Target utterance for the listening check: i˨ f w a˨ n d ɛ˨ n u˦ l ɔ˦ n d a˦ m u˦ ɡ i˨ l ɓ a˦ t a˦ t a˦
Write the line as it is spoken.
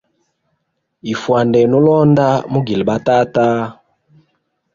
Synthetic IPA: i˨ f w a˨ n d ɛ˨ n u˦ l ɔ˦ n d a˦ m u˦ ɡ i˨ l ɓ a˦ t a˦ t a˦